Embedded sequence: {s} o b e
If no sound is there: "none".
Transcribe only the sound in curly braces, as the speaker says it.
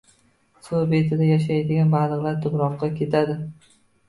s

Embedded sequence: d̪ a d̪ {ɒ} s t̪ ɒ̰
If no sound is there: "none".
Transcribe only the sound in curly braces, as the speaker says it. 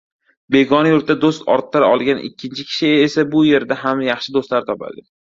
o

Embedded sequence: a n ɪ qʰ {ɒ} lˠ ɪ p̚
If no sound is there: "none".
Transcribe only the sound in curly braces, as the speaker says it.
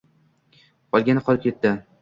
ɒ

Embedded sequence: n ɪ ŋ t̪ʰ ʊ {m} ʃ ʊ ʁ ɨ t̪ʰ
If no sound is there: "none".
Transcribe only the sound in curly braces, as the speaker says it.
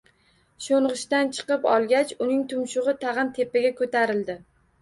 m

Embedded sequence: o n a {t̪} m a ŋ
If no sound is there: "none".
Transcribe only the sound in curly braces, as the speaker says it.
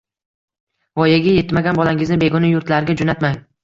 t̪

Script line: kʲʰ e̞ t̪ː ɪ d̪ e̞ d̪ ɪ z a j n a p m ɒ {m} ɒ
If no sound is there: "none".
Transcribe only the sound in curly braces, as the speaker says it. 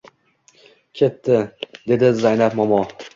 m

